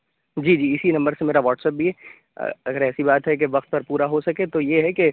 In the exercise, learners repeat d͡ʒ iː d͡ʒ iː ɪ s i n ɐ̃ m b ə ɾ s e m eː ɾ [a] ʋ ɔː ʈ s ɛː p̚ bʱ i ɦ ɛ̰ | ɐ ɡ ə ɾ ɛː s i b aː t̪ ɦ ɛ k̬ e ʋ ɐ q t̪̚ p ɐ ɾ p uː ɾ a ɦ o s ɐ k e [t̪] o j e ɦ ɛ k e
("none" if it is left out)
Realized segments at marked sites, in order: a, t̪

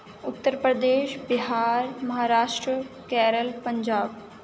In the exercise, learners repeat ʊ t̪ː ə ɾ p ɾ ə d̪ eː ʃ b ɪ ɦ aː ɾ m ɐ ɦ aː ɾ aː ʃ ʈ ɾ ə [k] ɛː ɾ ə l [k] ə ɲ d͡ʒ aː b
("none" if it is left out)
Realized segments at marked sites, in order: k, p

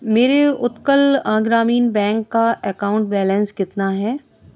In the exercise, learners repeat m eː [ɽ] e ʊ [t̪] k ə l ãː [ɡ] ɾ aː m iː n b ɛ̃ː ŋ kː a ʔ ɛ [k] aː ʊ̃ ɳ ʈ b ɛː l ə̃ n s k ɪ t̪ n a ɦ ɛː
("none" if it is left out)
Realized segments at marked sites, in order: ɾ, t̪, ɡ, k

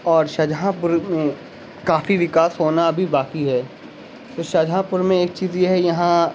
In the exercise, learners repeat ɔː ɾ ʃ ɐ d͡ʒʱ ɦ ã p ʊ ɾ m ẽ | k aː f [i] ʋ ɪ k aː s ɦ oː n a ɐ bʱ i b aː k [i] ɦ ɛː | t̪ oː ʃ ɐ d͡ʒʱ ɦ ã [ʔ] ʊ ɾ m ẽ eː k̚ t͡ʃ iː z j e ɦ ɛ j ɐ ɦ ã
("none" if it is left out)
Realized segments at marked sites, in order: i, i, p

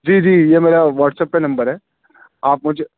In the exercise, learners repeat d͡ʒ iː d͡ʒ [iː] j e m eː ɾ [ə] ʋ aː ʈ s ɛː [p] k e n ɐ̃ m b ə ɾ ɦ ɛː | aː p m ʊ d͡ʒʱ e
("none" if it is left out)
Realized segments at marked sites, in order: iː, a, p

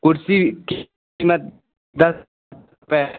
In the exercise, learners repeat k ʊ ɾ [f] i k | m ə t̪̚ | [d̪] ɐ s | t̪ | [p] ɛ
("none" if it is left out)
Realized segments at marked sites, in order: s, d̪, p

